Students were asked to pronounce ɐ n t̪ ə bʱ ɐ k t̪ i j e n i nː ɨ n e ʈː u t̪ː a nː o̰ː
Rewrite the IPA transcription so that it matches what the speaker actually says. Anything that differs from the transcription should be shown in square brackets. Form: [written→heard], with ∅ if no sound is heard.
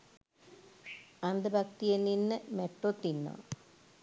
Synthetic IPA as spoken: ɐ n [t̪→d̪] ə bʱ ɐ k t̪ i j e n i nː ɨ [n→m] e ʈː [u→o] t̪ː [a→i] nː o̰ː